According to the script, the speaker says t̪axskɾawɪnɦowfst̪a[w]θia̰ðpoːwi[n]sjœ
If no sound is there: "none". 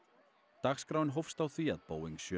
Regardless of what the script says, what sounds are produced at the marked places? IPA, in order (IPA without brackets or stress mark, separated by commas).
w, ŋ